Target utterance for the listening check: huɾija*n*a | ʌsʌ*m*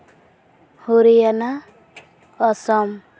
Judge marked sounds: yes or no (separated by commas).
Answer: yes, yes